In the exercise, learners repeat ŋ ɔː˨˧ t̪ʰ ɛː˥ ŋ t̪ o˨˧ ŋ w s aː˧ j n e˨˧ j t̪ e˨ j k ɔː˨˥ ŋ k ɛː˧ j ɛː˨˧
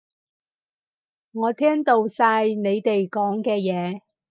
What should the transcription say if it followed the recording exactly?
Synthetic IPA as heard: ŋ ɔː˨˧ t̪ʰ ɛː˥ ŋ t̪ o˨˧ w s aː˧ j n e˨˧ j t̪ e˨ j k ɔː˨˥ ŋ k ɛː˧ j ɛː˨˧